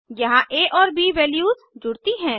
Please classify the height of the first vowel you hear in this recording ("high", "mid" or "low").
low